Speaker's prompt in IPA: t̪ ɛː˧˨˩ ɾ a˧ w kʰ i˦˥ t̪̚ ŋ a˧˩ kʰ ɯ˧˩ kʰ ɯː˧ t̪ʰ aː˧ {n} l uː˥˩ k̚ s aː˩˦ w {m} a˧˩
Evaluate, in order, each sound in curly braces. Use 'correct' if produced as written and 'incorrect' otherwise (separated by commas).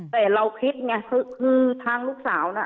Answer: incorrect, incorrect